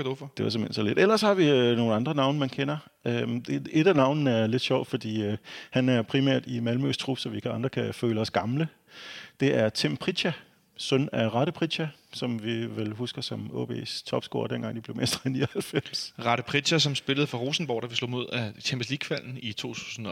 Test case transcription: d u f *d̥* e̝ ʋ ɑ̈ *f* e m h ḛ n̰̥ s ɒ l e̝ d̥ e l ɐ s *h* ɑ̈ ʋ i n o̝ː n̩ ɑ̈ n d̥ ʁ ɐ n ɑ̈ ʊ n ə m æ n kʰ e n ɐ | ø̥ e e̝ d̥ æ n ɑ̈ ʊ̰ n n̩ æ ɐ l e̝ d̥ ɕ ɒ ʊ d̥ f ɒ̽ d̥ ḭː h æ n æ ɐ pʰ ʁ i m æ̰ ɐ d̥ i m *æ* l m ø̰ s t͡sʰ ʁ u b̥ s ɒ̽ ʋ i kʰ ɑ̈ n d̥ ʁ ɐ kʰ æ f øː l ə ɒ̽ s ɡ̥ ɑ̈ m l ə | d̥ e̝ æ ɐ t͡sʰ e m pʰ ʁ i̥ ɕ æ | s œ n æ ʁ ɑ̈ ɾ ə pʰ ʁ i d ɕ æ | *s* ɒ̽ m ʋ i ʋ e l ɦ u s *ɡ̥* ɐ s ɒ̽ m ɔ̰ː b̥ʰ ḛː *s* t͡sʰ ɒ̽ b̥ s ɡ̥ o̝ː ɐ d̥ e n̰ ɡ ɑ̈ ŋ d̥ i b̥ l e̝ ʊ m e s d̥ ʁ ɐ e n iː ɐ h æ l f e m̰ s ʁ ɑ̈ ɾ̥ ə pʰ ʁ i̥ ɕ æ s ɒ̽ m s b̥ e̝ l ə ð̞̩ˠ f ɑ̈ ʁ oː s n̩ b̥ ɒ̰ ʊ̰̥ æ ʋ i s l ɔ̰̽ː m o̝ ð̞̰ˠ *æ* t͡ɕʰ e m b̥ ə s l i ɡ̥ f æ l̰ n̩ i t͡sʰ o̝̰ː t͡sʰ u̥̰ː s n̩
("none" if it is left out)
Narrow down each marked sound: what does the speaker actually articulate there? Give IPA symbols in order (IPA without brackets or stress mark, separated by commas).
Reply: d̥, s, h, æ, s, ɡ̥, s, æ